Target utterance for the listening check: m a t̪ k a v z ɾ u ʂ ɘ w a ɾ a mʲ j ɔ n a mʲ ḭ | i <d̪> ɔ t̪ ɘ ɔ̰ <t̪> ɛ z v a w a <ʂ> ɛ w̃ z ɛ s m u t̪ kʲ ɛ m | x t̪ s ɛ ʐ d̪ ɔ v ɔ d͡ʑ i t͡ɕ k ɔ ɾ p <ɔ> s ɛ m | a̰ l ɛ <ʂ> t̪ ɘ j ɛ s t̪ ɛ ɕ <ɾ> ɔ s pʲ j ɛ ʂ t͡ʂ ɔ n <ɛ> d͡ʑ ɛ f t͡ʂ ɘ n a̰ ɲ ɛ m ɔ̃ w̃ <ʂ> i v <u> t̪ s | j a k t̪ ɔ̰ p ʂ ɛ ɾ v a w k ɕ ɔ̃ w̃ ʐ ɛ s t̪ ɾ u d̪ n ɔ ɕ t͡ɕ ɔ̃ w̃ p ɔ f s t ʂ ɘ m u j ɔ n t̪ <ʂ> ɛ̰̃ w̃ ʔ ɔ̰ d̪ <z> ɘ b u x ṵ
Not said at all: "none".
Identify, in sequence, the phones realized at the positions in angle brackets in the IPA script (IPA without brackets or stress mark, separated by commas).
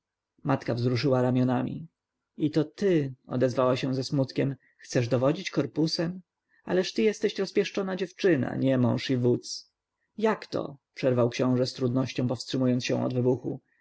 t̪, d̪, ɕ, u, ʂ, ɾ, a, ʂ, u, ɕ, v